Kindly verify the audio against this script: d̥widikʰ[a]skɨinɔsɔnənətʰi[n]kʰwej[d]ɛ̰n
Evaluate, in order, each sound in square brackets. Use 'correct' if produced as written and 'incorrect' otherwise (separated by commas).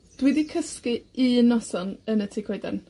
incorrect, incorrect, correct